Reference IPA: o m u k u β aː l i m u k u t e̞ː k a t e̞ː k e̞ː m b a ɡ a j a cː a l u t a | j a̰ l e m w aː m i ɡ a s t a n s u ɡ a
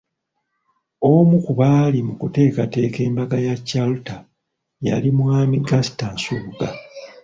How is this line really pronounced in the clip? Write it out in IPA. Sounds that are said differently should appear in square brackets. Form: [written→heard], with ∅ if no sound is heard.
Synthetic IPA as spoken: o m u k u β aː l i m u k u t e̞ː k a t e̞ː k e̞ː m b a ɡ a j a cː a l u t a | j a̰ l [e→i] m w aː m i ɡ a s t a n s u ɡ a